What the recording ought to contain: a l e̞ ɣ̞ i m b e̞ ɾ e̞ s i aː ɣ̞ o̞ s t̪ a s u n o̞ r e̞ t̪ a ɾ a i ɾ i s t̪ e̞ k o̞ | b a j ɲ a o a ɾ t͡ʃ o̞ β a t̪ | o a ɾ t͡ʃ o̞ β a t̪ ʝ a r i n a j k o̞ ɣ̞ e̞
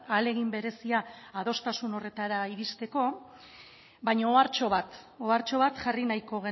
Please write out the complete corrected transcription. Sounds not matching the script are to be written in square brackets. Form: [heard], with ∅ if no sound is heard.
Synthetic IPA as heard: a l e̞ ɣ̞ i m b e̞ ɾ e̞ s i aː [ð̞] o̞ s t̪ a s u n o̞ r e̞ t̪ a ɾ a i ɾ i s t̪ e̞ k o̞ | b a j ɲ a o a ɾ t͡ʃ o̞ β a t̪ | o a ɾ t͡ʃ o̞ β a t̪ ʝ a r i n a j k o̞ ɣ̞ e̞

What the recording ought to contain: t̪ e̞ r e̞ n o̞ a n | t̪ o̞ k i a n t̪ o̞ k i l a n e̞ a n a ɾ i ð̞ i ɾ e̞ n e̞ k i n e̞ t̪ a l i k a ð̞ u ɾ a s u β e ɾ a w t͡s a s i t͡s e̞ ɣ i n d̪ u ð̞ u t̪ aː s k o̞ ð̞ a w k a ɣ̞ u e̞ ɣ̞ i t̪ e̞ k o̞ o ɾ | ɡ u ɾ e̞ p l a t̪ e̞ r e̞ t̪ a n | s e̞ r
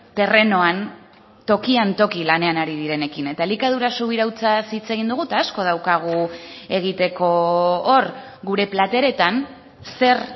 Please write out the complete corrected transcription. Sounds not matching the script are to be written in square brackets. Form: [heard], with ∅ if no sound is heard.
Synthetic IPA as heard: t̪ e̞ r e̞ n o̞ a n | t̪ o̞ k i a n t̪ o̞ k i l a n e̞ a n a ɾ i ð̞ i ɾ e̞ n e̞ k i n e̞ t̪ a l i k a ð̞ u ɾ a s u β [i] ɾ a w t͡s a s i t͡s e̞ ɣ i n d̪ u [ɣ̞] u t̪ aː s k o̞ ð̞ a w k a ɣ̞ u e̞ ɣ̞ i t̪ e̞ k o̞ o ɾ | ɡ u ɾ e̞ p l a t̪ e̞ [ɾ] e̞ t̪ a n | s e̞ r

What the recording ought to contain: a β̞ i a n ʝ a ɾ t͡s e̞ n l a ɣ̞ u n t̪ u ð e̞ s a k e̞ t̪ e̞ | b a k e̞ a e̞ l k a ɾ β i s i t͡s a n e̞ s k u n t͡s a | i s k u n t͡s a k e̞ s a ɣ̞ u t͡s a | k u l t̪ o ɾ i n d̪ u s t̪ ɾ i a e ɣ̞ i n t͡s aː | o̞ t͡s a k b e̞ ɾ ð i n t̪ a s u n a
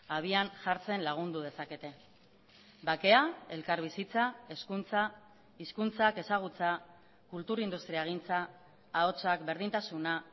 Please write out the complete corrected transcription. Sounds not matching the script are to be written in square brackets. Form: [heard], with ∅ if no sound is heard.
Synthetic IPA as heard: a β̞ i a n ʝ a ɾ t͡s e̞ n l a ɣ̞ u n [d̪] u ð e̞ s a k e̞ t̪ e̞ | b a k e̞ a e̞ l k a ɾ β i s i t͡s a [∅] e̞ s k u n t͡s a | i s k u n t͡s a k e̞ s a ɣ̞ u t͡s a | k u l t̪ [u] ɾ i n d̪ u s t̪ ɾ i a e ɣ̞ i n t͡s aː | o̞ t͡s a k b e̞ ɾ ð i n t̪ a s u n a

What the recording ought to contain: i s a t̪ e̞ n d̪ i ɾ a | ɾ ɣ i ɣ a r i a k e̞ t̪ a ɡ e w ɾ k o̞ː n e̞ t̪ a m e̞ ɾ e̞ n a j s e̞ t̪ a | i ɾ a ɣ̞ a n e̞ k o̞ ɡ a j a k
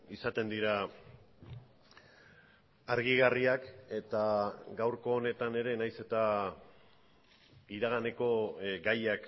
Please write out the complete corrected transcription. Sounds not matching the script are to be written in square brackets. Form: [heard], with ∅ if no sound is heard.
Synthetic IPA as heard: i s a t̪ e̞ n d̪ i ɾ a | ɾ ɣ i ɣ a r i a k e̞ t̪ a ɡ [a] w ɾ k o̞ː n e̞ t̪ a [n] e̞ ɾ e̞ n a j s e̞ t̪ a | i ɾ a ɣ̞ a n e̞ k o̞ ɡ a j a k

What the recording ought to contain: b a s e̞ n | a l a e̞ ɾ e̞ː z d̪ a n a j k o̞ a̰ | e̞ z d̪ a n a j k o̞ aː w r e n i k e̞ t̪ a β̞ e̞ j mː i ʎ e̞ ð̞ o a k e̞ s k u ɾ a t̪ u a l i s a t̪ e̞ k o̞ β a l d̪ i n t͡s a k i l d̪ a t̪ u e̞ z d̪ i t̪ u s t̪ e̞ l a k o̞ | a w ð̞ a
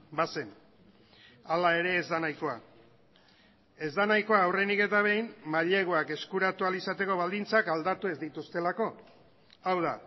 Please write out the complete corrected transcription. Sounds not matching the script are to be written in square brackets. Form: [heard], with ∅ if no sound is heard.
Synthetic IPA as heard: b a s e̞ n | a l a e̞ ɾ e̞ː z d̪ a n a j k o̞ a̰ | e̞ z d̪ a n a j k o̞ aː w r e n i k e̞ t̪ a β̞ e̞ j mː [a] ʎ e̞ [ɣ̞] o a k e̞ s k u ɾ a t̪ u a l i s a t̪ e̞ k o̞ β a l d̪ i n t͡s a k [a] l d̪ a t̪ u e̞ z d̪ i t̪ u s t̪ e̞ l a k o̞ | a w ð̞ a

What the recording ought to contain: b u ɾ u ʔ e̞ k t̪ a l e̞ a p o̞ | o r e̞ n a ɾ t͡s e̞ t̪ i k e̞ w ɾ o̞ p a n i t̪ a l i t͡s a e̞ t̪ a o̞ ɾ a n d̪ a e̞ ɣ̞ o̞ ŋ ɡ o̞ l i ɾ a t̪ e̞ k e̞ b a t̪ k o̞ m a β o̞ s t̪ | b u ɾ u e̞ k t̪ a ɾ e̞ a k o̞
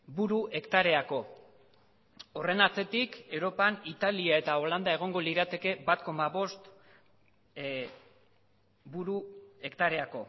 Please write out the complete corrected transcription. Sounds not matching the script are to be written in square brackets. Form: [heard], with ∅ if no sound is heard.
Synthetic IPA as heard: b u ɾ u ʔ e̞ k t̪ a [ɾ] e̞ a [k] o̞ | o r e̞ n a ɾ t͡s e̞ t̪ i k e̞ w ɾ o̞ p a n i t̪ a l i [∅] a e̞ t̪ a o̞ [l] a n d̪ a e̞ ɣ̞ o̞ ŋ ɡ o̞ l i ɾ a t̪ e̞ k e̞ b a t̪ k o̞ m a β o̞ s t̪ | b u ɾ u e̞ k t̪ a ɾ e̞ a k o̞

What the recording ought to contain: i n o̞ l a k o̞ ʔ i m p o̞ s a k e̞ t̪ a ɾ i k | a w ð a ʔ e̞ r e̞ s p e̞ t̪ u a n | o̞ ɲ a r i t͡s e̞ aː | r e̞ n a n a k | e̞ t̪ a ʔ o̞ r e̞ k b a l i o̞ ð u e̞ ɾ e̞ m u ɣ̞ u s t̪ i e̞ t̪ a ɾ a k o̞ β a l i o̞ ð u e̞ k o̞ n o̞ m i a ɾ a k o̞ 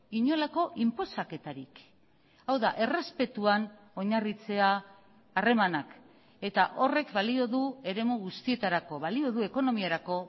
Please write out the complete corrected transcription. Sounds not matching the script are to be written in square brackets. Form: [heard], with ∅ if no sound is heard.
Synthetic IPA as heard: i [ɲ] o̞ l a k o̞ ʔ i m p o̞ s a k e̞ t̪ a ɾ i k | a w ð a ʔ e̞ r e̞ s p e̞ t̪ u a n | o̞ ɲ a r i t͡s e̞ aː | r e̞ [m] a n a k | e̞ t̪ a ʔ o̞ r e̞ k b a l i o̞ ð u e̞ ɾ e̞ m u ɣ̞ u s t̪ i e̞ t̪ a ɾ a k o̞ β a l i o̞ ð u e̞ k o̞ n o̞ m i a ɾ a k o̞

